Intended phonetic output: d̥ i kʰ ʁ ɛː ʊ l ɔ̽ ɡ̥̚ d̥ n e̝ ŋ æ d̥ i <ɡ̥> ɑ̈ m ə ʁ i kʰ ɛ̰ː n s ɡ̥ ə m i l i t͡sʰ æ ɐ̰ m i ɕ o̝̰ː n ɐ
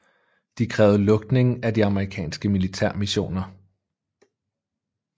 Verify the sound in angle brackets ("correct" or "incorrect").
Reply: incorrect